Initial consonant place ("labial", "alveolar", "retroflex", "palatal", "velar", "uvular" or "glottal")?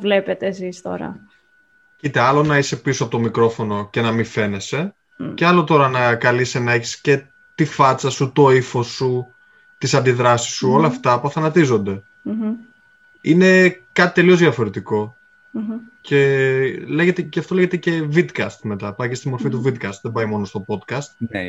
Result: labial